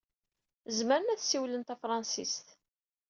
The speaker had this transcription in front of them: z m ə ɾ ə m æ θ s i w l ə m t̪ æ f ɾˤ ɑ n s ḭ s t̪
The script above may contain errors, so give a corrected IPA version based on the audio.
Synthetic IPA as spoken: z m ə ɾ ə n æ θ s i w l ə n t̪ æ f ɾˤ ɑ n s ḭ s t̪